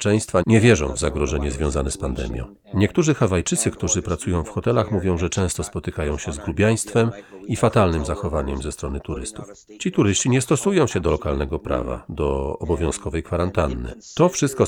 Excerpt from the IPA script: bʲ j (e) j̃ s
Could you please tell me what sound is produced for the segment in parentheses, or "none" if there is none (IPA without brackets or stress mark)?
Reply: a